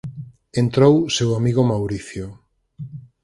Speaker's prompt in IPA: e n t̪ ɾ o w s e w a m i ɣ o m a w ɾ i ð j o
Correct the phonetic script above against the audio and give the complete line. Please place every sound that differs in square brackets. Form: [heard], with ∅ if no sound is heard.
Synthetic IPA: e n t̪ ɾ o w s e w a m i ɣ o m a w ɾ i [θ] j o